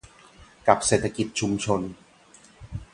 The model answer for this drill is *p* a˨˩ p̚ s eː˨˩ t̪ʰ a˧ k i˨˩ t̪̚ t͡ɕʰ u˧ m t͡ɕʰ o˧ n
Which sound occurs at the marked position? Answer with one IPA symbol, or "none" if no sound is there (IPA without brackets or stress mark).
k